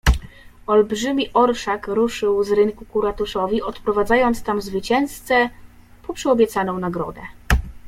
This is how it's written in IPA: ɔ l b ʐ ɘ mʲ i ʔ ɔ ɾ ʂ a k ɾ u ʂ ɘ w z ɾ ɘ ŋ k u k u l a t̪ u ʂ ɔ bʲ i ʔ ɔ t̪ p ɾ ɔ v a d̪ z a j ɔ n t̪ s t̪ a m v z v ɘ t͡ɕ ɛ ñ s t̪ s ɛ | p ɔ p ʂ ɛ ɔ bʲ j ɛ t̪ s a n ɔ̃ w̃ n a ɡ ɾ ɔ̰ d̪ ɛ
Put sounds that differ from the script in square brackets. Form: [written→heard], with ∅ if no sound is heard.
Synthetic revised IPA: ɔ l b ʐ ɘ mʲ i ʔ ɔ ɾ ʂ a k ɾ u ʂ ɘ w z ɾ ɘ ŋ k u k u [l→ɾ] a t̪ u ʂ ɔ [bʲ→vʲ] i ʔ ɔ t̪ p ɾ ɔ v a d̪ z a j ɔ n t̪ s t̪ a m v z v ɘ t͡ɕ ɛ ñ s t̪ s ɛ | p ɔ p ʂ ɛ ɔ bʲ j ɛ t̪ s a n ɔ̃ w̃ n a ɡ ɾ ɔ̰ d̪ ɛ